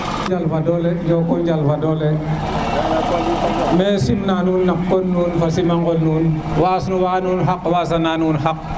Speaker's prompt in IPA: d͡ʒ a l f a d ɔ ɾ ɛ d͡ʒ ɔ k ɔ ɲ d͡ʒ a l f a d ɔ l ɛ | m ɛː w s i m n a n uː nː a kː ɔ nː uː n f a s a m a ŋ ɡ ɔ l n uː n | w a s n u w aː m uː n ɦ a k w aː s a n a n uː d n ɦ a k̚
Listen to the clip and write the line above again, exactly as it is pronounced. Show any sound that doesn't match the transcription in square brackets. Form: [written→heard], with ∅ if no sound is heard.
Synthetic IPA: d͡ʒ a l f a d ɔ [ɾ→l] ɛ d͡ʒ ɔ k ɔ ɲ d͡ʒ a l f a d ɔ l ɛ | m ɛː [w→∅] s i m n a n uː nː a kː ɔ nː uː n f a s [a→i] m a ŋ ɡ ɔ l n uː n | w a s n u w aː [m→n] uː n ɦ a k w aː s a n a n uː [d→∅] n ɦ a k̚